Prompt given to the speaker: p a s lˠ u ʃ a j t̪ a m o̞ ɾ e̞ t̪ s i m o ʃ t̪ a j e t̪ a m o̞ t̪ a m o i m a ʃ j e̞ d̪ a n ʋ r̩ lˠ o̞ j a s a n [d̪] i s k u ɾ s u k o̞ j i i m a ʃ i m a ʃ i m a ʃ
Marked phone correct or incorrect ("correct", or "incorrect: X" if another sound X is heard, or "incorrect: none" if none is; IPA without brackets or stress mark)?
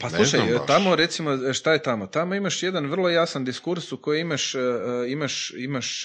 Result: correct